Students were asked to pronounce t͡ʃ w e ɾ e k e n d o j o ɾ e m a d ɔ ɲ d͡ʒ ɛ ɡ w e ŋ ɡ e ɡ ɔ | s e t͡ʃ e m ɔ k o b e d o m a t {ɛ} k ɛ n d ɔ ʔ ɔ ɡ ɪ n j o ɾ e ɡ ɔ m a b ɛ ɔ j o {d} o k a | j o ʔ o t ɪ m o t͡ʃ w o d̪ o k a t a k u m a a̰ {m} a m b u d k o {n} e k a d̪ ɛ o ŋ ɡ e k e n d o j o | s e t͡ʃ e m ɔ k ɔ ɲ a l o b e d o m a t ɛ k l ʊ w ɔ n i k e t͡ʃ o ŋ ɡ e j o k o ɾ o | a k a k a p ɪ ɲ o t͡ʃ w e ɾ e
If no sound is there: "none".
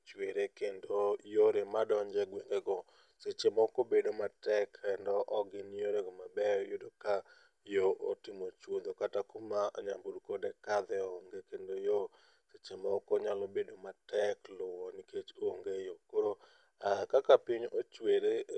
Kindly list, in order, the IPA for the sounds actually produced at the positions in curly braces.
ɛ, d, ɲ, d

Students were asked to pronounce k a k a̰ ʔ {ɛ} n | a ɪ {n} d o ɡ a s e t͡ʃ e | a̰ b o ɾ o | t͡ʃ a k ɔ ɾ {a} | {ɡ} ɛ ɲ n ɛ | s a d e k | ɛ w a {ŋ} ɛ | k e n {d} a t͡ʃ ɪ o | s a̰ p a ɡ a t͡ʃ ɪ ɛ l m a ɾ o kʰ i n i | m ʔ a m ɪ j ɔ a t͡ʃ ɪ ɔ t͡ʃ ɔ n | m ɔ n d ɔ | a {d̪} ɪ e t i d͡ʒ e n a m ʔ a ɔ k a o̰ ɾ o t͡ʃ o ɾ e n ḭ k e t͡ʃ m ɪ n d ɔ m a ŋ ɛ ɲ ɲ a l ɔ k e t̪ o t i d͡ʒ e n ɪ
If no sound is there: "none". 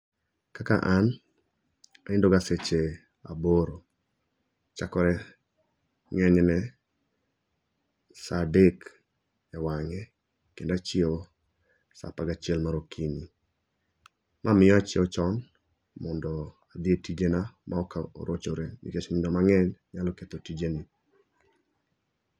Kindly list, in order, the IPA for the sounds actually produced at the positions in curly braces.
a, n, ɛ, ŋ, ŋ, d, d̪

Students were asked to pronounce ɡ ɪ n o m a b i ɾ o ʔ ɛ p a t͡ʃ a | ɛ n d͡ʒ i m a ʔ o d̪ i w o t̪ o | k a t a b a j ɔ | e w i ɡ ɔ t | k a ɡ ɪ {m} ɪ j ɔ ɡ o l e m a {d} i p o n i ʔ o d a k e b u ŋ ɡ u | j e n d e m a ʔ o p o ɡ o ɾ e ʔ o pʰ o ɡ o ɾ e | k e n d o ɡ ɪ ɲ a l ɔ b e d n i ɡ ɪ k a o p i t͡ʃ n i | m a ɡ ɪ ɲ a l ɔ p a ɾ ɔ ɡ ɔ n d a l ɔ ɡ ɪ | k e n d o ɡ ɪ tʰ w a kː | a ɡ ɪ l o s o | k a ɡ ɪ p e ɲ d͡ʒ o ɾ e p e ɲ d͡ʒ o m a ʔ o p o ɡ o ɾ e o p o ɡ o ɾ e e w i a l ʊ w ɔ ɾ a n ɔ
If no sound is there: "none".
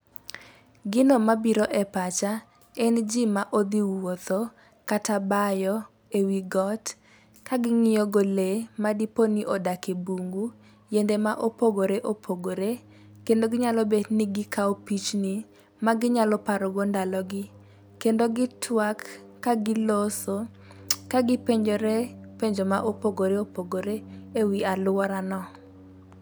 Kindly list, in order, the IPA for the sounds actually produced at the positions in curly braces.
ŋ, d

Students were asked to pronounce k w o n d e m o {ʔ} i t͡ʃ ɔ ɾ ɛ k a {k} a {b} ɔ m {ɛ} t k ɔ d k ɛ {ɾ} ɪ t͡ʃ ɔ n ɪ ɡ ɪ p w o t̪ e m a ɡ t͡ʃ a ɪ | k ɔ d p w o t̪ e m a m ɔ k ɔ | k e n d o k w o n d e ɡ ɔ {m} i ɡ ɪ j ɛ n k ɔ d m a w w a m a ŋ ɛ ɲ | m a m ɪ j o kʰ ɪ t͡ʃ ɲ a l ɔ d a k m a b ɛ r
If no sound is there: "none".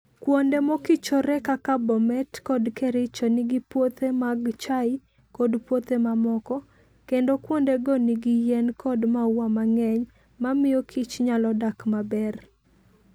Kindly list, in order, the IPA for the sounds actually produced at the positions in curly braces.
k, k, b, ɛ, ɾ, n

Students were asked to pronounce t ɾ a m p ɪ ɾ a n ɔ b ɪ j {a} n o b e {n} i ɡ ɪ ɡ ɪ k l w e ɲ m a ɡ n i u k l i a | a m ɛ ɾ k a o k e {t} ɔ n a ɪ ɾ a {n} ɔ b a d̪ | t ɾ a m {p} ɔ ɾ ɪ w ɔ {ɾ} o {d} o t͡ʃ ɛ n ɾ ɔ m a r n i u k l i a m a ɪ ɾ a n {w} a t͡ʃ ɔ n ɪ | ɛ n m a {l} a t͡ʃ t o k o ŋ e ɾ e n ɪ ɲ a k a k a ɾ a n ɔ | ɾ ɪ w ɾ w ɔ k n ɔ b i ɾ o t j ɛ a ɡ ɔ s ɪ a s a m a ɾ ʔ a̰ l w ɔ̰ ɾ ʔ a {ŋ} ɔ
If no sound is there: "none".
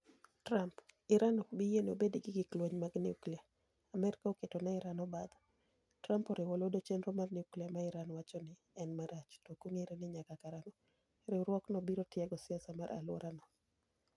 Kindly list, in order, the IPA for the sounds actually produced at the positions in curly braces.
e, d, t, n, p, l, d, w, ɾ, n

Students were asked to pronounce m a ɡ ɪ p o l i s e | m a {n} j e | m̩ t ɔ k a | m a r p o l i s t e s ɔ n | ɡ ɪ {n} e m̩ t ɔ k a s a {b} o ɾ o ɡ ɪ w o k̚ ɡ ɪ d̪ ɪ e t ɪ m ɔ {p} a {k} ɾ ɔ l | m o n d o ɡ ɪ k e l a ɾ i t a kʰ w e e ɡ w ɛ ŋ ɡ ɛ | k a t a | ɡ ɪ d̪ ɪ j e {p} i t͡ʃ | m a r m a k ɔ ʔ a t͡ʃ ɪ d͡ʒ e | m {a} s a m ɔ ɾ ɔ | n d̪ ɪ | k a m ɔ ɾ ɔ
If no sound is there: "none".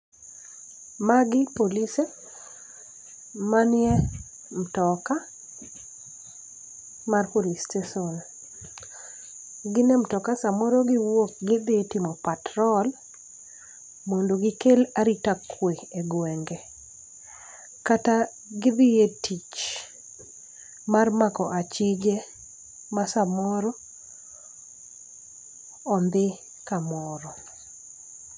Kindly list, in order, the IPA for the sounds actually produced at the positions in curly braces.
n, n, m, p, t, t, a

